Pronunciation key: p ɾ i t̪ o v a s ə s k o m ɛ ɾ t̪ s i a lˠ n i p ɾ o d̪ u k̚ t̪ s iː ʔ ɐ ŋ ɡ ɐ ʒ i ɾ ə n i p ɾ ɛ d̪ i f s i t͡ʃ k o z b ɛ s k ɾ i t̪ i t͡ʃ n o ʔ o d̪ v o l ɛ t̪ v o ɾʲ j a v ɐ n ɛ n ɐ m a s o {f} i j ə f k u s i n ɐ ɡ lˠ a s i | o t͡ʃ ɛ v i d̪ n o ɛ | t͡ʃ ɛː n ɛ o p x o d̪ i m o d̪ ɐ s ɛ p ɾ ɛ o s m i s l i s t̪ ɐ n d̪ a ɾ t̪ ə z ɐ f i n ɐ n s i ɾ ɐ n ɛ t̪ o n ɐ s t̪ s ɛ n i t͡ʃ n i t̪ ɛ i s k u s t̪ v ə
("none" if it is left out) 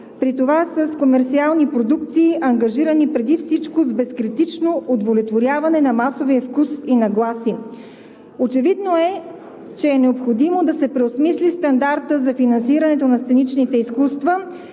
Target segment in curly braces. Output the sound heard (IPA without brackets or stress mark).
v